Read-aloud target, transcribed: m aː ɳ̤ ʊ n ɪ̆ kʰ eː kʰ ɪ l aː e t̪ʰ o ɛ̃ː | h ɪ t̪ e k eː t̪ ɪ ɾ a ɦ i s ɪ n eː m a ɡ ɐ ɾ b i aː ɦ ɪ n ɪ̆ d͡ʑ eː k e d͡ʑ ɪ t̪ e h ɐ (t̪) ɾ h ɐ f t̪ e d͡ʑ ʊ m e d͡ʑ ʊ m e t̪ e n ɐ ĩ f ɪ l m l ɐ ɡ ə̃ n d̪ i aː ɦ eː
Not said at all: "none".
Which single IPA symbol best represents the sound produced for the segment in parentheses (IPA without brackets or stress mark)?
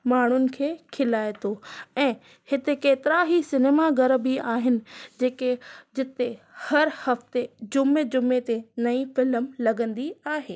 none